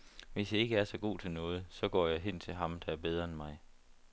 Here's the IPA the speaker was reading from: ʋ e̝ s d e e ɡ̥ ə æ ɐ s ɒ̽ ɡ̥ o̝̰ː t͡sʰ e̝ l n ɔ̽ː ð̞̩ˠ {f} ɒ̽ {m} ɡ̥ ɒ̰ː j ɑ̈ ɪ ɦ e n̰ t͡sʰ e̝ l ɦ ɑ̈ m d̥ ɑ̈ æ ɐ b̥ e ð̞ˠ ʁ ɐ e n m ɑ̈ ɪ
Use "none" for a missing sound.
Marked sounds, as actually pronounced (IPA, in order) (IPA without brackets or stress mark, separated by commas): s, none